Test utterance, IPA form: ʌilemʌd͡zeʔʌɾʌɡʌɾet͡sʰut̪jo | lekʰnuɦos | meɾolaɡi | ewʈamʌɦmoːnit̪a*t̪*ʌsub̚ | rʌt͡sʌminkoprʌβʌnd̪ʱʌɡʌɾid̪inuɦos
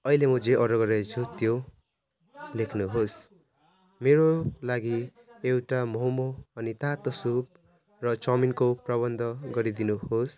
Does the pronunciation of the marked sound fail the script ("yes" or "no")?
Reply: no